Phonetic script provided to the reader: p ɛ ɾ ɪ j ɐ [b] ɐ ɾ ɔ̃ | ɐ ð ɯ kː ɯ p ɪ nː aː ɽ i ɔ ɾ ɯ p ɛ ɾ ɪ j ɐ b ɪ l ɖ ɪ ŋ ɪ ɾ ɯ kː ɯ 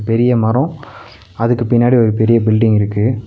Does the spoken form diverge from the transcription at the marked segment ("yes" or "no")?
yes